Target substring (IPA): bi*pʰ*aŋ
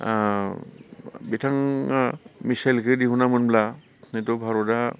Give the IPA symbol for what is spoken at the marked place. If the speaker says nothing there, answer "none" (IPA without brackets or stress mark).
tʰ